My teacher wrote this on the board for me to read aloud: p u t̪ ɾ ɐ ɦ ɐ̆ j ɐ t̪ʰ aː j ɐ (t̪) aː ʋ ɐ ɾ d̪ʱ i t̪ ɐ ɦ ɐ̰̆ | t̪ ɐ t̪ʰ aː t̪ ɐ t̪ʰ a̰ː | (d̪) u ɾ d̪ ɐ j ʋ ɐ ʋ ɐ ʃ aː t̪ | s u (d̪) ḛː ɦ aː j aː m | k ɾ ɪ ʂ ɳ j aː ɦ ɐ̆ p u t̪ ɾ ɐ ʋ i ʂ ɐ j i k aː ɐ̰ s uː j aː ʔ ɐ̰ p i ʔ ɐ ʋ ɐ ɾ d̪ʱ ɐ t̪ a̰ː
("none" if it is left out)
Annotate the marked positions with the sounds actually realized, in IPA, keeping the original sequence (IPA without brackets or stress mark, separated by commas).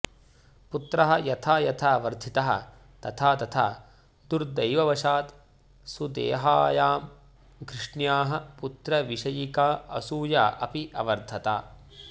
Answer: t̪ʰ, d̪, d̪